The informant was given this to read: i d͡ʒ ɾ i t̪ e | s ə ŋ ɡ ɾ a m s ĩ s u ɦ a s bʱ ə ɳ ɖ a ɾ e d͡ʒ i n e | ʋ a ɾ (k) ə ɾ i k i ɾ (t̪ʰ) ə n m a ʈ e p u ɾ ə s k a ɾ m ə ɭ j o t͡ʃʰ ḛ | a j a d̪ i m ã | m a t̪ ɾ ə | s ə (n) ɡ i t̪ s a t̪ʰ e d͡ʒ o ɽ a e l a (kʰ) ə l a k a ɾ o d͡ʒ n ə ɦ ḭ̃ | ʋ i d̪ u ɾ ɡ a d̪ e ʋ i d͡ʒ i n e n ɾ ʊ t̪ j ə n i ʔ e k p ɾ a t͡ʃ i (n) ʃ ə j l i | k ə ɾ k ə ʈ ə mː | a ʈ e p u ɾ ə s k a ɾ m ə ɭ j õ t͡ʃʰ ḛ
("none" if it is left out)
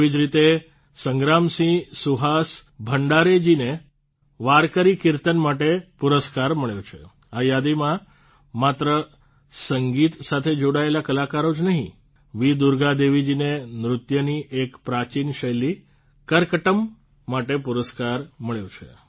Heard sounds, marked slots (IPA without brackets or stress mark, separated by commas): k, t̪, ŋ, k, n